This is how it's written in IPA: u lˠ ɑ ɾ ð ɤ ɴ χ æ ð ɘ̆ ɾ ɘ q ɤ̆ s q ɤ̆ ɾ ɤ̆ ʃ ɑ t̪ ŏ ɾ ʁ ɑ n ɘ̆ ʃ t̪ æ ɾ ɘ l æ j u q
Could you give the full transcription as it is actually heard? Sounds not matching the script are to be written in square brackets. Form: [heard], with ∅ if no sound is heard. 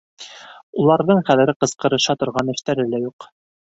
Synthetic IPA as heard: u lˠ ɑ ɾ ð ɤ ɴ χ æ ð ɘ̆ ɾ ɘ q ɤ̆ s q ɤ̆ ɾ ɤ̆ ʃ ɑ t̪ ŏ ɾ ʁ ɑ n ɘ̆ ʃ t̪ æ ɾ ɘ l æ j u q